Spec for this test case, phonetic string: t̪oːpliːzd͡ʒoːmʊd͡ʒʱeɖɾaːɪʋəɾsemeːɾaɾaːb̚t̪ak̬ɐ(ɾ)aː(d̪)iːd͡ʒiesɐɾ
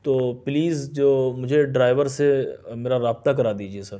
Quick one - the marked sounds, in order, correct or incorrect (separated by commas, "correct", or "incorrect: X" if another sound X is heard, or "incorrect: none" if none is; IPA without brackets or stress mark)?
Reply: correct, correct